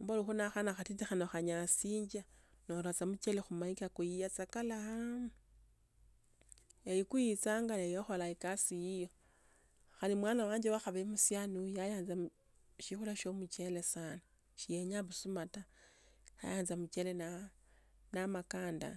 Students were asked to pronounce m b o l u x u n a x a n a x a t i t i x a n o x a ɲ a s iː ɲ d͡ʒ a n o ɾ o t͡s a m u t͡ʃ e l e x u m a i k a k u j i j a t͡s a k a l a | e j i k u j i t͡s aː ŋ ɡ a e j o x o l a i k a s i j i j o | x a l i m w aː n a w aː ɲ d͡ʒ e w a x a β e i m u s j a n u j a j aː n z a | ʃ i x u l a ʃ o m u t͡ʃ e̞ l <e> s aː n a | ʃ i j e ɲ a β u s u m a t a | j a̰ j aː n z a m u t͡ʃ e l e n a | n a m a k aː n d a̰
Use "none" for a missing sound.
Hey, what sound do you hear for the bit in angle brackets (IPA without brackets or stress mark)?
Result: e